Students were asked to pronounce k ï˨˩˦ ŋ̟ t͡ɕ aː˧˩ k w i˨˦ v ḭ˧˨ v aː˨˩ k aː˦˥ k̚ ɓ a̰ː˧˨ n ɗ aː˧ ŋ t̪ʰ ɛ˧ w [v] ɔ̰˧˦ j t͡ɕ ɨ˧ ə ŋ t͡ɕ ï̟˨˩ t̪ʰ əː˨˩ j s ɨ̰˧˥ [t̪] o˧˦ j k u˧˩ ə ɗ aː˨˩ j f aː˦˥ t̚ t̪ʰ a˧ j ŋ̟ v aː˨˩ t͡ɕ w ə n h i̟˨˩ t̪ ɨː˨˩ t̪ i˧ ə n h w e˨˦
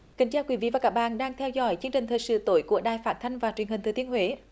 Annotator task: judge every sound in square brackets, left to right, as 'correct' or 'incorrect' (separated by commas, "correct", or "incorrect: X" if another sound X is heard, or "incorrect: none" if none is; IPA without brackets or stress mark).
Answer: incorrect: z, correct